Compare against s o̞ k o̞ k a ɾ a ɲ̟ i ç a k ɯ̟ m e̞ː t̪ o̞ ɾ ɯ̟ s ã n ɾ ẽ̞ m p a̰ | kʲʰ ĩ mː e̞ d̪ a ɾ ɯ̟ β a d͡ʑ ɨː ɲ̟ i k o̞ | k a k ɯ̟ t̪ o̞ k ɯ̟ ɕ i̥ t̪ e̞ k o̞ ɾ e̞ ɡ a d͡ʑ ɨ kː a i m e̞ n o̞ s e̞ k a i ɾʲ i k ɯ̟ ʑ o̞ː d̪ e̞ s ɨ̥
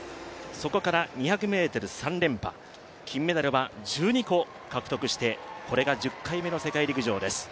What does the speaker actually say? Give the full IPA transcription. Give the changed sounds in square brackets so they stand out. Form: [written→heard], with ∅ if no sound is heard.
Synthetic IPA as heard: s o̞ k o̞ k a ɾ a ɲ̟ i ç a k ɯ̟ m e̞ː t̪ o̞ ɾ ɯ̟ s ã n ɾ ẽ̞ m p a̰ | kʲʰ ĩ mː e̞ d̪ a ɾ ɯ̟ β a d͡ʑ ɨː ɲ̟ i k o̞ | k a k ɯ̟ t̪ o̞ k ɯ̟ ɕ i̥ t̪ e̞ k o̞ ɾ e̞ ɡ a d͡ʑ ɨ kː a i m e̞ n o̞ s e̞ k a i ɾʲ i k ɯ̟ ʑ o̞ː d̪ e̞ s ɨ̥

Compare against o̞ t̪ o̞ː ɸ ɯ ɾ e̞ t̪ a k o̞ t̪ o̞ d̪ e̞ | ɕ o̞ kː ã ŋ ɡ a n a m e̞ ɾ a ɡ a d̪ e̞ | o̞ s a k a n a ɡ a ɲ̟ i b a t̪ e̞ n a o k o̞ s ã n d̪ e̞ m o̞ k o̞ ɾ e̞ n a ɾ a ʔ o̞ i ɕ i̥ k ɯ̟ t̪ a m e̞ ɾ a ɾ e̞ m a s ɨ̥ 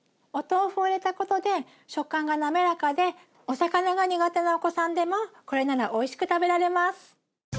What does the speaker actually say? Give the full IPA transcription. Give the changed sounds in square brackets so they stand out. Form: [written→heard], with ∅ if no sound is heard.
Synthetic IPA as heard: o̞ t̪ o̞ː ɸ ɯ ɾ e̞ t̪ a k o̞ t̪ o̞ d̪ e̞ | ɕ o̞ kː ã ŋ ɡ a n a m e̞ ɾ a [ɡ→k] a d̪ e̞ | o̞ s a k a n a ɡ a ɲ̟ i [b→ɡ] a t̪ e̞ n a o k o̞ s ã n d̪ e̞ m o̞ k o̞ ɾ e̞ n a ɾ a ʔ o̞ i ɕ i̥ k ɯ̟ t̪ a [m→b] e̞ ɾ a ɾ e̞ m a s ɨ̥

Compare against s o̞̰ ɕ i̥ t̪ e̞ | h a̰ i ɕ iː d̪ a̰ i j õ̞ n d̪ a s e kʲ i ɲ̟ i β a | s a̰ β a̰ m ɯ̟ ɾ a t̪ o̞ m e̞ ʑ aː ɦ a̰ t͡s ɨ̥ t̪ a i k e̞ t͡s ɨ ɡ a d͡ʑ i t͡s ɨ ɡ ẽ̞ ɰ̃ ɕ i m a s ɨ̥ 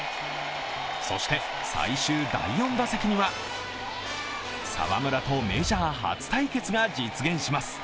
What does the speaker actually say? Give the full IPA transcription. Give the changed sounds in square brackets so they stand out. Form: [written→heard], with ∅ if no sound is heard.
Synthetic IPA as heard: s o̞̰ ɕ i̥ t̪ e̞ | [h→s] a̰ i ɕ [iː→ɨː] d̪ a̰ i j õ̞ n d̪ a s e kʲ i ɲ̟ i β a | s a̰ β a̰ m ɯ̟ ɾ a t̪ o̞ m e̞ ʑ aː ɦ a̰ t͡s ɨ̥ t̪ a i k e̞ t͡s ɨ ɡ a d͡ʑ i t͡s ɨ ɡ ẽ̞ ɰ̃ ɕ i m a s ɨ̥

